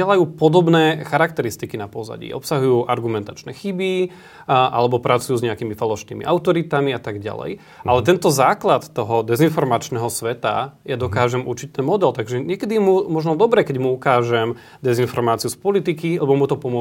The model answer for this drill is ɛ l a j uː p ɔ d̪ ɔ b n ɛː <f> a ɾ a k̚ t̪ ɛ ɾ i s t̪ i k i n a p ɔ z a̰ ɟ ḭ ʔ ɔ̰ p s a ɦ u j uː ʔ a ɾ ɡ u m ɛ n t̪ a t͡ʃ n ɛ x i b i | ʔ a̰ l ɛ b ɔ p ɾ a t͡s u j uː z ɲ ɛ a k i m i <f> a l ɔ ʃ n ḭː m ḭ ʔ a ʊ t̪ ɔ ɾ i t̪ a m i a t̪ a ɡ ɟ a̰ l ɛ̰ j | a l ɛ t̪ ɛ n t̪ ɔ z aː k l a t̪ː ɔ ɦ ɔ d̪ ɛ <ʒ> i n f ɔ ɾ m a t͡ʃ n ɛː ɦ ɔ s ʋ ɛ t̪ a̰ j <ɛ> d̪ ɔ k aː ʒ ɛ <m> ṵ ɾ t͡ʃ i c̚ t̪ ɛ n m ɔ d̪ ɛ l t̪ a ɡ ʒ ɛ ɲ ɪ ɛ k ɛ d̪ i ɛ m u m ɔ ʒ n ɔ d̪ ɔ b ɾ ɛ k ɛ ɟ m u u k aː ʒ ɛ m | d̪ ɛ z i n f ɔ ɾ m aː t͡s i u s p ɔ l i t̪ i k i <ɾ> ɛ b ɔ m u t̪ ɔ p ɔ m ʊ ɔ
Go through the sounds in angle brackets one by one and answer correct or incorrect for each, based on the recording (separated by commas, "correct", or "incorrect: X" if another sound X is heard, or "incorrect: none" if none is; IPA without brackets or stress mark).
incorrect: x, correct, incorrect: z, incorrect: a, correct, incorrect: l